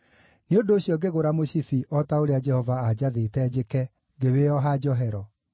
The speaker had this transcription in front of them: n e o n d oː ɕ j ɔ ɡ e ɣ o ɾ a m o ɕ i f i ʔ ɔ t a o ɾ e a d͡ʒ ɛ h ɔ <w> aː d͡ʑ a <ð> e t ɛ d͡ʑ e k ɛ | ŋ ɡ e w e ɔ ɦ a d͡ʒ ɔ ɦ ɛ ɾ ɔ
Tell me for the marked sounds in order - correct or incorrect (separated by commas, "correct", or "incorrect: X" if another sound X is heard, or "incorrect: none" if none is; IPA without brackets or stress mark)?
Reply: incorrect: v, correct